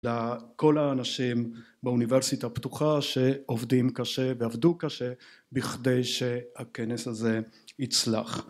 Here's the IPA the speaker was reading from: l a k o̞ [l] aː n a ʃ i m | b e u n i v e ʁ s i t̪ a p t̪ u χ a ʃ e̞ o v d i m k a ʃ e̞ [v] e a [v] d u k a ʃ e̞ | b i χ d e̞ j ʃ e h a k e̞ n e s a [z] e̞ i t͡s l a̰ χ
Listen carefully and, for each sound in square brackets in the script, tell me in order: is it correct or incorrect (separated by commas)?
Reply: correct, correct, correct, correct